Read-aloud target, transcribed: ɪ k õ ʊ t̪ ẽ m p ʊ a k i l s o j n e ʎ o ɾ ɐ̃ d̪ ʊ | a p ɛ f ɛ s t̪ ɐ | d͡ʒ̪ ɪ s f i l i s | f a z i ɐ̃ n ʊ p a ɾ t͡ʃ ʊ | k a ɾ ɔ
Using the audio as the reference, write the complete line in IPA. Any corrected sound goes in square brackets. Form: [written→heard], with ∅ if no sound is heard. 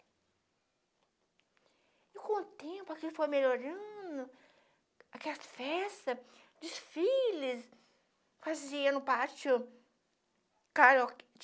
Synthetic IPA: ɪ k õ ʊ t̪ ẽ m p ʊ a k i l [s→f] o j [n→m] e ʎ o ɾ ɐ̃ d̪ ʊ | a [p→k] ɛ f ɛ s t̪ ɐ | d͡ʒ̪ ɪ s f i l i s | f a z i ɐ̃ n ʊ p a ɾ t͡ʃ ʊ | k a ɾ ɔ